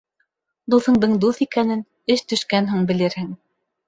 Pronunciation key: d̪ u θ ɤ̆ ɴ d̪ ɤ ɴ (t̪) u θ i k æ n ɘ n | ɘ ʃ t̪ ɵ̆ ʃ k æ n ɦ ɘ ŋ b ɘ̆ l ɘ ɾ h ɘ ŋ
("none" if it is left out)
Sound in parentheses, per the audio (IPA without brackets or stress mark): d̪